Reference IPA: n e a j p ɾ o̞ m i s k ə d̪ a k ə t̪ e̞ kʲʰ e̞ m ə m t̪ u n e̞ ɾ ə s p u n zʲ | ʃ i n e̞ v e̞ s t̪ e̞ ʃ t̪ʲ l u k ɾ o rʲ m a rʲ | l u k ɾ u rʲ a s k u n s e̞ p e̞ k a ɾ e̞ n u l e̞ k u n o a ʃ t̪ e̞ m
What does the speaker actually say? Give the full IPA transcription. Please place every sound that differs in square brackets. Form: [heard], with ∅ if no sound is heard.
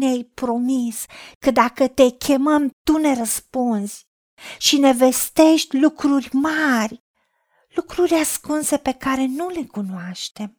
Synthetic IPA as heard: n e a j p ɾ o̞ m i s k ə d̪ a k ə t̪ e̞ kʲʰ e̞ m ə m t̪ u n e̞ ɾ ə s p u n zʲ | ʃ i n e̞ v e̞ s t̪ e̞ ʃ t̪ʲ l u k ɾ [u] rʲ m a rʲ | l u k ɾ u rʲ a s k u n s e̞ p e̞ k a ɾ e̞ n u l e̞ k u n o a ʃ t̪ e̞ m